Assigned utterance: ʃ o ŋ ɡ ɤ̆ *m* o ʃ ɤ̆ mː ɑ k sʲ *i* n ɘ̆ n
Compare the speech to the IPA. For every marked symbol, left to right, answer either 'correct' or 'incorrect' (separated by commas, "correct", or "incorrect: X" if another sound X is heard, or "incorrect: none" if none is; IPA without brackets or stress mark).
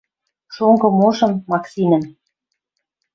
correct, correct